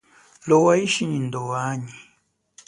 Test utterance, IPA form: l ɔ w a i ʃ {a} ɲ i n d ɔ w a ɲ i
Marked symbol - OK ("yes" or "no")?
no